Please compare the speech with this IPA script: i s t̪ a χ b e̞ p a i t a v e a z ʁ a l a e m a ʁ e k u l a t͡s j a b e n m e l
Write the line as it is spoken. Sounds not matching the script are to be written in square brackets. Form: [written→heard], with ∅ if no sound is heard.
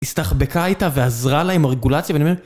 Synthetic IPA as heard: i s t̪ a χ b e̞ [p→k] a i t a v e a z ʁ a l a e m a ʁ e [k→ɡ] u l a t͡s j a [b→v] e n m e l